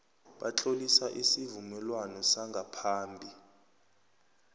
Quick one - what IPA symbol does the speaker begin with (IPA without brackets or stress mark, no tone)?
ɓ